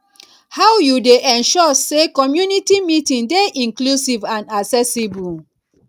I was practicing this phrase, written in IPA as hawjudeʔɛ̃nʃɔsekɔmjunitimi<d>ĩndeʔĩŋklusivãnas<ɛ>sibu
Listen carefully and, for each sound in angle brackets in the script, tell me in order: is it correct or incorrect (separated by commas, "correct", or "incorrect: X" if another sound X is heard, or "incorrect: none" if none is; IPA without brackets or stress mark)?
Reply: incorrect: t, correct